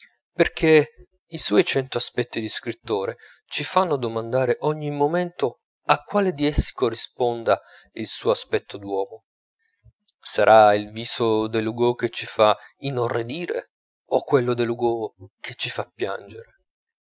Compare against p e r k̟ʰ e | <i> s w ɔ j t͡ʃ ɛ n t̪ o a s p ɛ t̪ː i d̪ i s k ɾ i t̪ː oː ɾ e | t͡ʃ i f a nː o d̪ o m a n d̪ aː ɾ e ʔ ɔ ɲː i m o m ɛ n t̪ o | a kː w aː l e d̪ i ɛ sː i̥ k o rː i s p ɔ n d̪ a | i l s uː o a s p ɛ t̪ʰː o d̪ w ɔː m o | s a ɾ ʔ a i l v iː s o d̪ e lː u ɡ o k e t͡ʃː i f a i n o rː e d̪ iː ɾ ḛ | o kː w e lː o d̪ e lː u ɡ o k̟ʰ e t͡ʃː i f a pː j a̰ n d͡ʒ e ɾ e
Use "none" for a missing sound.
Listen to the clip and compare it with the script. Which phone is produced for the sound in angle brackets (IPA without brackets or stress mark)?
i